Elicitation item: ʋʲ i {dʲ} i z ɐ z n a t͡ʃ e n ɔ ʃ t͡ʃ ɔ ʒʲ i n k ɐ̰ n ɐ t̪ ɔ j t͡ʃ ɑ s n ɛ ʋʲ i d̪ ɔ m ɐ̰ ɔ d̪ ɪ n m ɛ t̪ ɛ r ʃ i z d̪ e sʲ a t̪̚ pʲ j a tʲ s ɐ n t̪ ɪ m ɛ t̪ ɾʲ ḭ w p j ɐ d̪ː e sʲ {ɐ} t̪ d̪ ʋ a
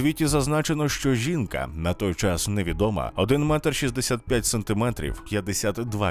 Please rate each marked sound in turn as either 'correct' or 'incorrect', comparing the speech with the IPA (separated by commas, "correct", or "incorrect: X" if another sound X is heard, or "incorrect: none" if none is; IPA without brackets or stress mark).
incorrect: tʲ, incorrect: a